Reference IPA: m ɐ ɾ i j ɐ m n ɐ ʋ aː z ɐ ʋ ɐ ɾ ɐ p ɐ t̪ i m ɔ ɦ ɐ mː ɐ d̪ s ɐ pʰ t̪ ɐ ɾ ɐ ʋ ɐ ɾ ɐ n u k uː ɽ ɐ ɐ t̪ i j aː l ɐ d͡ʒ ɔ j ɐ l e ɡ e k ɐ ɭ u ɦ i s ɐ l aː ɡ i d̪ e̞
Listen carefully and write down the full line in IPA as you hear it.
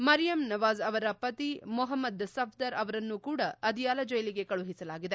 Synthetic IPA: m ɐ ɾ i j ɐ m n ɐ ʋ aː z ɐ ʋ ɐ ɾ ɐ p ɐ t̪ i m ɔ ɦ ɐ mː ɐ d̪ s ɐ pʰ d̪ ɐ ɾ ɐ ʋ ɐ ɾ ɐ nː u k uː ɽ ɐ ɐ d̪ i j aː l ɐ d͡ʒ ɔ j ɐ l i ɡ e k ɐ ɭ u ɦ i s ɐ l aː ɡ i d̪ e̞

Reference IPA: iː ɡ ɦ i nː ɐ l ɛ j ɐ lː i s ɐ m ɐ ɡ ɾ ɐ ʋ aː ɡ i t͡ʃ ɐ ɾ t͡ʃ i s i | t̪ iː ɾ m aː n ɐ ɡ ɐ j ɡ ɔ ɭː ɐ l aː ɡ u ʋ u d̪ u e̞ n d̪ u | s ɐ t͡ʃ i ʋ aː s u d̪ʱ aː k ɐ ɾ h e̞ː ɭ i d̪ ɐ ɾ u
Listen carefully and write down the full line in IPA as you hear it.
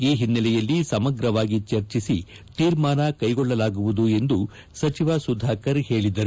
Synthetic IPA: iː ɦ i nː ɐ l ɛ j ɐ lː i s ɐ m ɐ ɡ ɾ ɐ ʋ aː ɡ i t͡ʃ ɐ ɾ t͡ʃ i s i | t̪ iː ɾ m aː n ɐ k ɐ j ɡ ɔ ɭː ɐ l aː ɡ u ʋ u d̪ u e̞ n d̪ u | s ɐ t͡ʃ i ʋ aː s u d̪ʱ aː k ɐ ɾ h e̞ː ɭ i d̪ ɐ ɾ u

